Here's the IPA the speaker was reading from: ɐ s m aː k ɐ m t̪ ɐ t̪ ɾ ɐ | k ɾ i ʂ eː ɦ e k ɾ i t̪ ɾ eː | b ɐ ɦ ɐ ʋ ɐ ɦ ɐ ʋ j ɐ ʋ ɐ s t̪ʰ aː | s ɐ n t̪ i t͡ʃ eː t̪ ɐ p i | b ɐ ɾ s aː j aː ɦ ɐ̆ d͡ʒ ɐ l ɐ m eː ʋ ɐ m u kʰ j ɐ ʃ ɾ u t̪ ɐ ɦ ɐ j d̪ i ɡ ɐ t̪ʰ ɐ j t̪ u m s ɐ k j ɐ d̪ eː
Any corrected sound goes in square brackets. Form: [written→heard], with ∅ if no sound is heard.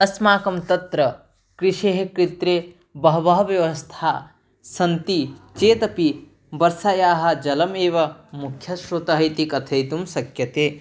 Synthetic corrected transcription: ɐ s m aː k ɐ m t̪ ɐ t̪ ɾ ɐ | k ɾ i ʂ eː ɦ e k ɾ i t̪ ɾ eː | b ɐ ɦ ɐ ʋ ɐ ɦ ɐ ʋ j ɐ ʋ ɐ s t̪ʰ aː | s ɐ n t̪ i t͡ʃ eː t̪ ɐ p i | b ɐ ɾ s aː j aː ɦ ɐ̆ d͡ʒ ɐ l ɐ m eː ʋ ɐ m u kʰ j ɐ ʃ ɾ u t̪ ɐ ɦ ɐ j [d̪→t̪] i [ɡ→k] ɐ t̪ʰ ɐ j t̪ u m s ɐ k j ɐ [d̪→t̪] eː